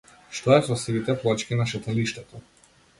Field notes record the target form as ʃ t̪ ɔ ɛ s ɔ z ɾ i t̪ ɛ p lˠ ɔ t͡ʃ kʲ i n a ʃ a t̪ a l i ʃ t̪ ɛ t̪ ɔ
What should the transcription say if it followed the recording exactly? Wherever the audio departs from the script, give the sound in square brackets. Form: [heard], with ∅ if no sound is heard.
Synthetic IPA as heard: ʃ t̪ ɔ ɛ s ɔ [s] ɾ i t̪ ɛ p lˠ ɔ t͡ʃ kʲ i n a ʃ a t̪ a l i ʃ t̪ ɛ t̪ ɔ